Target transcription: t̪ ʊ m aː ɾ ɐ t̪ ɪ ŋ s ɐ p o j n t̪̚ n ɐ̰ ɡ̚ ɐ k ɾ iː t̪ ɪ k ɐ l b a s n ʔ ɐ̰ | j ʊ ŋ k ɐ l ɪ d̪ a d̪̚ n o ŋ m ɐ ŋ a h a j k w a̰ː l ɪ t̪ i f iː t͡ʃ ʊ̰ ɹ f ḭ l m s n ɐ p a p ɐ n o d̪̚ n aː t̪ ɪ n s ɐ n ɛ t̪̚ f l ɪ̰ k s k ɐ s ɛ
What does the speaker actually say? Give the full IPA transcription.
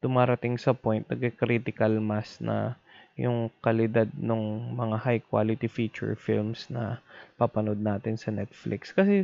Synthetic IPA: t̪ ʊ m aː ɾ ɐ t̪ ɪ ŋ s ɐ p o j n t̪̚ n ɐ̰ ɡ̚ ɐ k ɾ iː t̪ ɪ k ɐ l m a s n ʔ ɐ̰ | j ʊ ŋ k ɐ l ɪ d̪ a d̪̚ n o ŋ m ɐ ŋ a h a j k w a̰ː l ɪ t̪ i f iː t͡ʃ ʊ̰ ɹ f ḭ l m s n ɐ p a p ɐ n o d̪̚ n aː t̪ ɪ n s ɐ n ɛ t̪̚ f l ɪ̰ k s k ɐ s ɛ